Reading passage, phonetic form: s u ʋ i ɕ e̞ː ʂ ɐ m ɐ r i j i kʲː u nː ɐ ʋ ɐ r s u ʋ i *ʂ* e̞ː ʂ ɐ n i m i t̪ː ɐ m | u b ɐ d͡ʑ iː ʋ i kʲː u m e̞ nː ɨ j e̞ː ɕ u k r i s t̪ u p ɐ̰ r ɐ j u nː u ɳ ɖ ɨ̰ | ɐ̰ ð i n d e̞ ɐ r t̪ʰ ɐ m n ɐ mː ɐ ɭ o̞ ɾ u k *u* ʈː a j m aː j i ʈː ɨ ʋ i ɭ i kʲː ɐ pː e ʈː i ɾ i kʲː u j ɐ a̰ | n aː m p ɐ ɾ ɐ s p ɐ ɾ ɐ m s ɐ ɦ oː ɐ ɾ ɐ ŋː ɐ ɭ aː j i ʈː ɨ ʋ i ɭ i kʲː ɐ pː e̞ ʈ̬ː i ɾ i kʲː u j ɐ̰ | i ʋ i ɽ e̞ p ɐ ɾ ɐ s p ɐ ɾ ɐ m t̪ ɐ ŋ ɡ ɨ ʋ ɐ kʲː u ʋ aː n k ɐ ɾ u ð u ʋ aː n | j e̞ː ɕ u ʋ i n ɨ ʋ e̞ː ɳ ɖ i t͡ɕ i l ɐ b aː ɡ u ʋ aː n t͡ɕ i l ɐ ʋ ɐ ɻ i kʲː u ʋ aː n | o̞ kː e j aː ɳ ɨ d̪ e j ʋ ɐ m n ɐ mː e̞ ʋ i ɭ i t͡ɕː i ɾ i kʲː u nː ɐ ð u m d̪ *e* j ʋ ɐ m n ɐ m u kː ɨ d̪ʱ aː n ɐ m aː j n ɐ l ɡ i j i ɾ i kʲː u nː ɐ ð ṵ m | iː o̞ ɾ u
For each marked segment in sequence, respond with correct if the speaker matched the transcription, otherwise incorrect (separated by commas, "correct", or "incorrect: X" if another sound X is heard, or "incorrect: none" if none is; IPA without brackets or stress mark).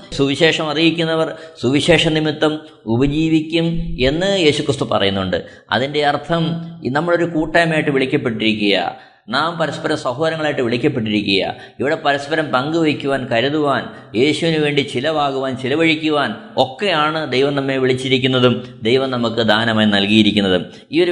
incorrect: ɕ, incorrect: uː, correct